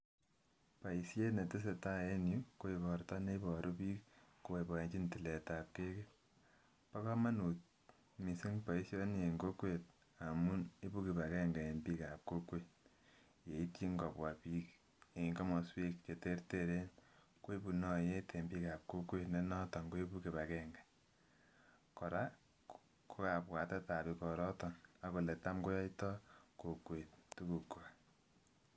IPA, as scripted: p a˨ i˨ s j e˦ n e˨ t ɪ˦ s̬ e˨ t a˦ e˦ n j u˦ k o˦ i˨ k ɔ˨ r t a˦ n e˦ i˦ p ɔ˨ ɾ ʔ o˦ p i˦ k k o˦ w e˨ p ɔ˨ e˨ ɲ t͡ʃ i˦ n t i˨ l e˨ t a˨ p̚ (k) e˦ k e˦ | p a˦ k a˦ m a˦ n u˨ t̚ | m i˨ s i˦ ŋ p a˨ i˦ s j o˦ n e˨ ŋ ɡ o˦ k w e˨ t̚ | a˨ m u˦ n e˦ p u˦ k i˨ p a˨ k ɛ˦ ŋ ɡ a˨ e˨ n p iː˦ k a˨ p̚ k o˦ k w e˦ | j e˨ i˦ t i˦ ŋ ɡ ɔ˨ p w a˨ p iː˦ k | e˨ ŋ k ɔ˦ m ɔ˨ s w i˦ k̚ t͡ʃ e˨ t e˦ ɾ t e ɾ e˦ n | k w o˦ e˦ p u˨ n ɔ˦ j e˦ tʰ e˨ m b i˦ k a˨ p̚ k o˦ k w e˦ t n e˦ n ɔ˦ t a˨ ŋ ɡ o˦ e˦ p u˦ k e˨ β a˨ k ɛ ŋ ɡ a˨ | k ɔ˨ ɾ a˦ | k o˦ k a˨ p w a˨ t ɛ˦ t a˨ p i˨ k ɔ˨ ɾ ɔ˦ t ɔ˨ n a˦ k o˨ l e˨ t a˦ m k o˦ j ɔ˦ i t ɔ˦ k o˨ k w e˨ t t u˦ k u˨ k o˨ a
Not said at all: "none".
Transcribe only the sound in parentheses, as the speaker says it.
k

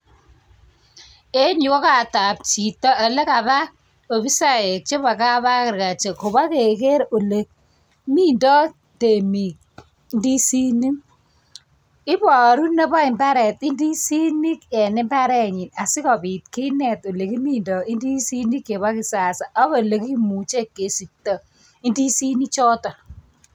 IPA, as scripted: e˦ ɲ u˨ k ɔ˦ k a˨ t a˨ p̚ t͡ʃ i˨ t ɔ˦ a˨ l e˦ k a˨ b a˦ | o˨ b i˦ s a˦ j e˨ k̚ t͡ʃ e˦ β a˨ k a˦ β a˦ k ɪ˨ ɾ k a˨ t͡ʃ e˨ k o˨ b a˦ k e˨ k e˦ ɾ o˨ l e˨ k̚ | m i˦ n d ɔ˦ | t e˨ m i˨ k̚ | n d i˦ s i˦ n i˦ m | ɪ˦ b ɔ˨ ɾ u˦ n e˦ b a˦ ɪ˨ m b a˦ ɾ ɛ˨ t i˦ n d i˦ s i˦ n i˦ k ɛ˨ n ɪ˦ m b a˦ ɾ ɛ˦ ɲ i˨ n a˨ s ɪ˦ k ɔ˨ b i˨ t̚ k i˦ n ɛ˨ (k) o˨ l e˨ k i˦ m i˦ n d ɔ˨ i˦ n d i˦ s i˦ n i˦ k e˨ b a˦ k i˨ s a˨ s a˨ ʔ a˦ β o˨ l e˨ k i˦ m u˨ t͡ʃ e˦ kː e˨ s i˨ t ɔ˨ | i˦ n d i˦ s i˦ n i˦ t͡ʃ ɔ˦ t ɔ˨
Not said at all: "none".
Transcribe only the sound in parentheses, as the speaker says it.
t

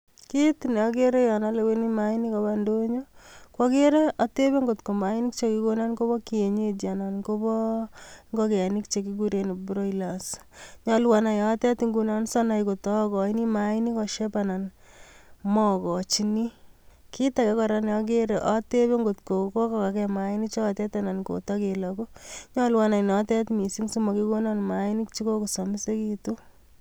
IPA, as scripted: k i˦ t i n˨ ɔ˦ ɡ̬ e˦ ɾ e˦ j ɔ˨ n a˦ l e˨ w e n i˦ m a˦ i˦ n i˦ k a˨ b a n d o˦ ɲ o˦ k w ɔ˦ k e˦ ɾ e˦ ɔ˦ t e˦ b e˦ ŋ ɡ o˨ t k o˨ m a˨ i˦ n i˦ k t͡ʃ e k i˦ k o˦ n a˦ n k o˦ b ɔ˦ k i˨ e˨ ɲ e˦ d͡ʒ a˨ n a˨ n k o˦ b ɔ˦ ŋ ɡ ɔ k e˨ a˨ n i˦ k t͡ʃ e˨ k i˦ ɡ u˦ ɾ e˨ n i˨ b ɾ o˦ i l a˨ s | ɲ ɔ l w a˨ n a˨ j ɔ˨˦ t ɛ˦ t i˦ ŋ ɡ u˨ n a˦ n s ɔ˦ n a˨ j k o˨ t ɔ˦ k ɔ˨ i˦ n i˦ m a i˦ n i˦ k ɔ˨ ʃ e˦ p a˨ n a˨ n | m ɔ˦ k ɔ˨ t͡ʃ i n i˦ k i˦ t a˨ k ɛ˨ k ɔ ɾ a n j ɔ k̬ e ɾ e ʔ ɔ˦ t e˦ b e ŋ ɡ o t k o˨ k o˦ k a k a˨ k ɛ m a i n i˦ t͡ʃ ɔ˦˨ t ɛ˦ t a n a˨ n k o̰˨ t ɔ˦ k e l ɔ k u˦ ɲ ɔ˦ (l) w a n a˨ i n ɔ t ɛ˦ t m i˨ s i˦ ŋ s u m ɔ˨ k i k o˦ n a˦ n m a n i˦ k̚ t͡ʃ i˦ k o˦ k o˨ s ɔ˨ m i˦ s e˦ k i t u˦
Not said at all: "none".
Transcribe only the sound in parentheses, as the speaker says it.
l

